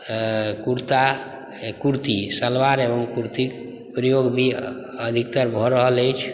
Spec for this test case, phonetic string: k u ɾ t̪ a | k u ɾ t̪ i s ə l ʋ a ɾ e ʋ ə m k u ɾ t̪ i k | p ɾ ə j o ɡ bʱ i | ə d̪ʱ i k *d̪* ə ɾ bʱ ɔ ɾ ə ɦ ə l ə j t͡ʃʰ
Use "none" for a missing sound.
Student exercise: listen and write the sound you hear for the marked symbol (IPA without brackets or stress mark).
t̪